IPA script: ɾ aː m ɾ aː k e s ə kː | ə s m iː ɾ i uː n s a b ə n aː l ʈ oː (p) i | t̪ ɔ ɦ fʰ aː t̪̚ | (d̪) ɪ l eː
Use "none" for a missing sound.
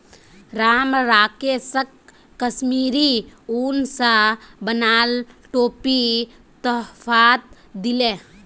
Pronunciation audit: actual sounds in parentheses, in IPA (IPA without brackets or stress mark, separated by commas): p, d̪